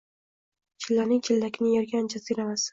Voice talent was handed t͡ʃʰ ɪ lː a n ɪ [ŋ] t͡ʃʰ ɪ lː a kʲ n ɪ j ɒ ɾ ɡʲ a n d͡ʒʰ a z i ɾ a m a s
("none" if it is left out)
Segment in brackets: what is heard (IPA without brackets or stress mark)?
ŋ